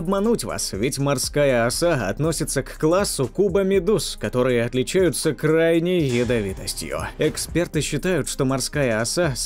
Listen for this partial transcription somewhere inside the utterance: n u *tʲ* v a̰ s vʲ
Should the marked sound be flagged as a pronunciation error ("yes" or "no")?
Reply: no